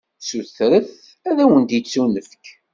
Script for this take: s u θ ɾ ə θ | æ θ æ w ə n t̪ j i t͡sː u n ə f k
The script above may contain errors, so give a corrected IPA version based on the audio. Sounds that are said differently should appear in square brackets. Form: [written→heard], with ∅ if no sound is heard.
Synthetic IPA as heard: s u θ ɾ ə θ | æ [θ→ð] æ w ə n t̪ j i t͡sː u n ə f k